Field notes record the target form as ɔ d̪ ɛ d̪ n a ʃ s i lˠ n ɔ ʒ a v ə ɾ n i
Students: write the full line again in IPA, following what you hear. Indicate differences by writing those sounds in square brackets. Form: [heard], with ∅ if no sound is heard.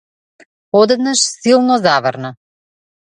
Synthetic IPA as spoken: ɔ d̪ ɛ d̪ n a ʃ s i lˠ n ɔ [z] a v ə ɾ n [a]